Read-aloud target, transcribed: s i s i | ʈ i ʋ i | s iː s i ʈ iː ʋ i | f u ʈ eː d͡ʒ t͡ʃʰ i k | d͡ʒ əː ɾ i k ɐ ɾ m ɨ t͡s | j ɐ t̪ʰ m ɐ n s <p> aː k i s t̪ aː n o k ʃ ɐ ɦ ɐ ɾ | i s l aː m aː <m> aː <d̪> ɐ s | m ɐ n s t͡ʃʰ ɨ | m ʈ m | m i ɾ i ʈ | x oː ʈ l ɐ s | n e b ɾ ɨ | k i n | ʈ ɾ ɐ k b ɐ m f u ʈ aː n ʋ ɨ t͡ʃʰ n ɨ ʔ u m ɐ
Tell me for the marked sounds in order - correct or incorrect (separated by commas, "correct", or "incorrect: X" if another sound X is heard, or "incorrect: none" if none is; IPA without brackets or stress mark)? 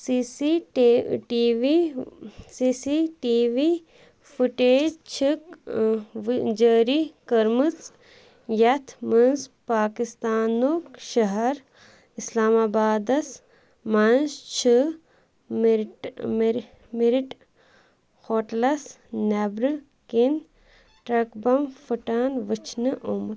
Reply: correct, incorrect: b, correct